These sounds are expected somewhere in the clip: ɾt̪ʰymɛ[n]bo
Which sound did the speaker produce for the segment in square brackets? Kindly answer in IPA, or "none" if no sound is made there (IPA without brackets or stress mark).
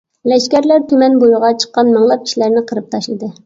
n